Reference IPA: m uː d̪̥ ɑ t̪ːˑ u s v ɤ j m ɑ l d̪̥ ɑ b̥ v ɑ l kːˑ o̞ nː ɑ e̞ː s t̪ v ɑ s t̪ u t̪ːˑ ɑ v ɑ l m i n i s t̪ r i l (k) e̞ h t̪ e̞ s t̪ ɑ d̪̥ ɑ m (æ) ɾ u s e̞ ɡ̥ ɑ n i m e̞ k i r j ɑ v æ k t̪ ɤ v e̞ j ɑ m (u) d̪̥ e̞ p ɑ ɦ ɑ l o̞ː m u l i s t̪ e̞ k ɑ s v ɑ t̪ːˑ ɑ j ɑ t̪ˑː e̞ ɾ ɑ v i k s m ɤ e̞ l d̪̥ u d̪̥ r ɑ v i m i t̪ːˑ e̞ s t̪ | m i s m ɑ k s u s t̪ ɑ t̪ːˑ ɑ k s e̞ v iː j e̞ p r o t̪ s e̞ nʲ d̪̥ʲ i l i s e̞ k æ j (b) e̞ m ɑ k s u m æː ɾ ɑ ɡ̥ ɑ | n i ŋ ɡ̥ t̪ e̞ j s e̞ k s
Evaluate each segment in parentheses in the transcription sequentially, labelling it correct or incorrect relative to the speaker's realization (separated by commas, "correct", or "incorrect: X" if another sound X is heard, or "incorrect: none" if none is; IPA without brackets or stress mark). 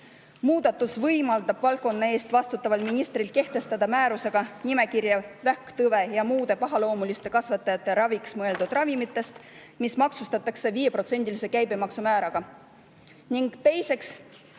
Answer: correct, incorrect: æː, incorrect: uː, correct